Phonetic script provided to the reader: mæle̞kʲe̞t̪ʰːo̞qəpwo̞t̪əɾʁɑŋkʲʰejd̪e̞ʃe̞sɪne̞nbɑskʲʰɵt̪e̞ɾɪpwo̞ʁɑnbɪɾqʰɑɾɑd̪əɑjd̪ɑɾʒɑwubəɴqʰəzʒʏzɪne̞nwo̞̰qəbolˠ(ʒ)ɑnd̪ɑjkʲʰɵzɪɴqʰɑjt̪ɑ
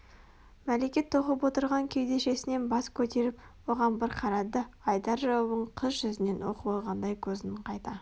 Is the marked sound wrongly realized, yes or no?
yes